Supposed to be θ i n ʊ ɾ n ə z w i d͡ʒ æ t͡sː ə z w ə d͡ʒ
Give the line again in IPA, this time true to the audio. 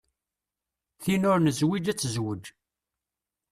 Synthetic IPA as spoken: θ i n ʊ ɾ n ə z w i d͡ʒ æ t͡sː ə z w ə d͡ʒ